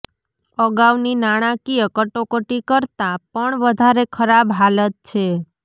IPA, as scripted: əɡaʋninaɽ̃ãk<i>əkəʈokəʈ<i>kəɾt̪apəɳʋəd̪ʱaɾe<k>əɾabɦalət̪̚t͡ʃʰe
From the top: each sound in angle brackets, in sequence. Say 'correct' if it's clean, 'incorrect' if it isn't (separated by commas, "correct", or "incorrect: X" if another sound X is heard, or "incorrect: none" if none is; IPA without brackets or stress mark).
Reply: correct, correct, incorrect: kʰ